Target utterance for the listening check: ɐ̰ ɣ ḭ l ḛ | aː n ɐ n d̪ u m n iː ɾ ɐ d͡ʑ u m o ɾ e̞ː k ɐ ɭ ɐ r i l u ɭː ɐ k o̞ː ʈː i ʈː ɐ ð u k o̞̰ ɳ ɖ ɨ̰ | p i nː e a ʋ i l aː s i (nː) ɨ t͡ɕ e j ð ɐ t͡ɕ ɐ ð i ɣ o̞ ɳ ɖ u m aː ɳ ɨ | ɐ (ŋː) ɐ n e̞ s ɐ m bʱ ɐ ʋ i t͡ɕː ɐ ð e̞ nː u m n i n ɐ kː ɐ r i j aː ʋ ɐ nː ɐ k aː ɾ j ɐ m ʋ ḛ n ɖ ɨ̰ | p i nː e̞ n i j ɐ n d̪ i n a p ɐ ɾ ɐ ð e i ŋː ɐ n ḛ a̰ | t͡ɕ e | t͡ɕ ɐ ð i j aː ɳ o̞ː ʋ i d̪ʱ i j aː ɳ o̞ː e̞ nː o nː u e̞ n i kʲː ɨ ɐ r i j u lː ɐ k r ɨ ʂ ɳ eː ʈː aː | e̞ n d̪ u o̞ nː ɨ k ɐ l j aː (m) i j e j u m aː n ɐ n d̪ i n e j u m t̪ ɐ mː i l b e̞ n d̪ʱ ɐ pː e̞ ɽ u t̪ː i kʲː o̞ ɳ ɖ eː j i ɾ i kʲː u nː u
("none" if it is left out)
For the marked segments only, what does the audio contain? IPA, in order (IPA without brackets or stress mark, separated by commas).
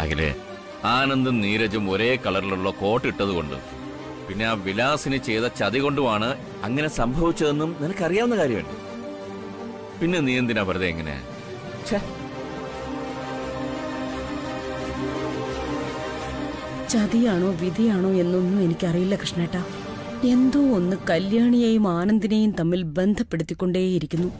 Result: n, ŋː, ɳ